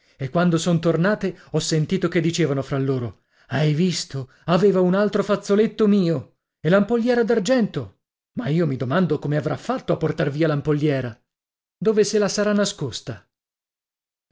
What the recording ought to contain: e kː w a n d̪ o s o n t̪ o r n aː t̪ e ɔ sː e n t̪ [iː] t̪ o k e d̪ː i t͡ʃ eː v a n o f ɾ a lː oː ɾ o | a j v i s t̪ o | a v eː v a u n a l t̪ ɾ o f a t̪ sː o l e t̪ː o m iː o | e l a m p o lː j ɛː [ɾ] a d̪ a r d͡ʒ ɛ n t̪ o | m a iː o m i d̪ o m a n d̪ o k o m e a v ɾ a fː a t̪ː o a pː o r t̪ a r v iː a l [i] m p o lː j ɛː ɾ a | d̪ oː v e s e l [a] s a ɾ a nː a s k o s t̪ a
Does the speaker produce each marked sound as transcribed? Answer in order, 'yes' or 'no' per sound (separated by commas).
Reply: yes, yes, no, yes